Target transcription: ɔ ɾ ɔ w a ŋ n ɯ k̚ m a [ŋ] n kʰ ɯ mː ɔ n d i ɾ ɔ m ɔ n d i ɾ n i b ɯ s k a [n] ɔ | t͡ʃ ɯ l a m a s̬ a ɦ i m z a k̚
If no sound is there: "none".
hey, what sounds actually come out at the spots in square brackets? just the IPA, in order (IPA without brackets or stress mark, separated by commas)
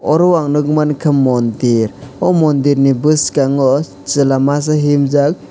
none, ŋ